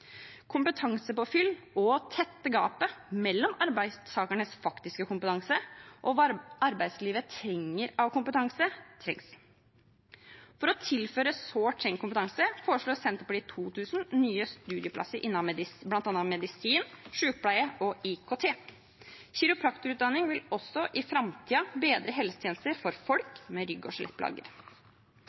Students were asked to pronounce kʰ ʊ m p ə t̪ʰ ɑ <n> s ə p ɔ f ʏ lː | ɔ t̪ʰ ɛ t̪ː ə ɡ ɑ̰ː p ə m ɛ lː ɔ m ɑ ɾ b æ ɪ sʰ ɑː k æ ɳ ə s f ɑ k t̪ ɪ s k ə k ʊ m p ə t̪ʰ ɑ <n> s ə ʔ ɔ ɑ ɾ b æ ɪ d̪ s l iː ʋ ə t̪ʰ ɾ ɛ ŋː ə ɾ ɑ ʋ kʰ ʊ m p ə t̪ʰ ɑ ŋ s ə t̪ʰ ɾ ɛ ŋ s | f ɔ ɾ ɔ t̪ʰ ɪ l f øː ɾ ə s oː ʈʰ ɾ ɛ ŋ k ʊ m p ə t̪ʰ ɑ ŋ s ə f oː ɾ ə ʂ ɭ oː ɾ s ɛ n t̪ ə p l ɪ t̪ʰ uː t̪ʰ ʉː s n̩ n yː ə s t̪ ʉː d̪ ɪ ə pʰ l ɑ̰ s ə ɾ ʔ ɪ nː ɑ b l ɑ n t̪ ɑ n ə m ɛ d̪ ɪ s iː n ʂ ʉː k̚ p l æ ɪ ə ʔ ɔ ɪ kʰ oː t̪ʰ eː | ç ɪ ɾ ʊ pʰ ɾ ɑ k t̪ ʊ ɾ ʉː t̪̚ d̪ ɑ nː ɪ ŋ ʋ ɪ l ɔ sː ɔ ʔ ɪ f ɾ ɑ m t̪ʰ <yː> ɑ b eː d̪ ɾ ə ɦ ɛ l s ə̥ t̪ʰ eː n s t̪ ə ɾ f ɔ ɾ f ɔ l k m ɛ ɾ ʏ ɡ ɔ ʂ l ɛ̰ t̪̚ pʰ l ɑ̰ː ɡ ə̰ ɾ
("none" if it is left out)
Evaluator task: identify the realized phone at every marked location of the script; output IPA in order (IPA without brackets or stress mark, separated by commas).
ŋ, ŋ, iː